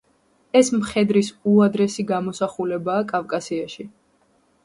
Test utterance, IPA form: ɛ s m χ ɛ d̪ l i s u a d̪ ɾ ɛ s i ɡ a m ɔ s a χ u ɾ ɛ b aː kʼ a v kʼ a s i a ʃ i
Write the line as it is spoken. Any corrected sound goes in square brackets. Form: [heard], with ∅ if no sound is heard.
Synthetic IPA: ɛ s m χ ɛ d̪ [ɾ] i s u a d̪ ɾ ɛ s i ɡ a m ɔ s a χ u [l] ɛ b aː kʼ a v kʼ a s i a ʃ i